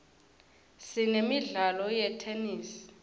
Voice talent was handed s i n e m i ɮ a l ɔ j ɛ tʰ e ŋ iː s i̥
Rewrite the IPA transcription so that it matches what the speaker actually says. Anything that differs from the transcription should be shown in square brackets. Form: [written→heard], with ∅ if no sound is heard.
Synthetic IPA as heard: s i n e m i ɮ a l ɔ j ɛ tʰ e [ŋ→n] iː s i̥